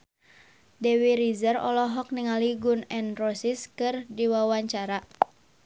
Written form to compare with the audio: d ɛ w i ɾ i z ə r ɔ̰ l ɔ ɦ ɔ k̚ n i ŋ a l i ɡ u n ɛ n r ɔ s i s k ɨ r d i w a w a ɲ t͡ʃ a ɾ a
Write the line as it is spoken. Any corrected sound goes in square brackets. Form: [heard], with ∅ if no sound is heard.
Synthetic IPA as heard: d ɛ w i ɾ i z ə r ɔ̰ l ɔ ɦ ɔ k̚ n i ŋ a l i ɡ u n ɛ n r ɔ s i s k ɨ r d i w a w a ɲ t͡ʃ a ɾ a